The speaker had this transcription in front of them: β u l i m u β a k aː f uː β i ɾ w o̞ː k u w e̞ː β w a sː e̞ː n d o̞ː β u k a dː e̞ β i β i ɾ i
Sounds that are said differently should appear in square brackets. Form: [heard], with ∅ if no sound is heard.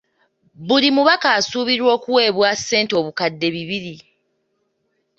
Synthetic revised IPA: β u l i m u β a k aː [s] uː β i ɾ w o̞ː k u w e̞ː β w a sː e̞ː n [t] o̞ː β u k a dː e̞ β i β i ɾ i